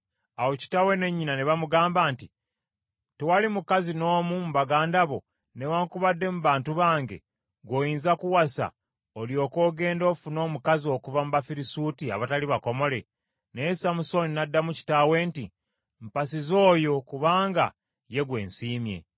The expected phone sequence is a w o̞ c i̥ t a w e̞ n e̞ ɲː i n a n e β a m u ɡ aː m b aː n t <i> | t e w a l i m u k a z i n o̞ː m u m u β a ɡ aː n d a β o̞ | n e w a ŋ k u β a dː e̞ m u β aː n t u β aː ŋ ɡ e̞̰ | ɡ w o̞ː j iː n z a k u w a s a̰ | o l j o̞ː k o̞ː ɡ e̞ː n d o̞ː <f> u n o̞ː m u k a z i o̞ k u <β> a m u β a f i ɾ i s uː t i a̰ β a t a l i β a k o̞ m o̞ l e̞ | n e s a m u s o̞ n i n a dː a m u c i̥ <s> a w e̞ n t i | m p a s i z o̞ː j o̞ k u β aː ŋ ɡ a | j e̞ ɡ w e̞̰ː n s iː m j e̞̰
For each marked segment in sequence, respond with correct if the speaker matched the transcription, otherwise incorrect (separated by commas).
correct, correct, incorrect, incorrect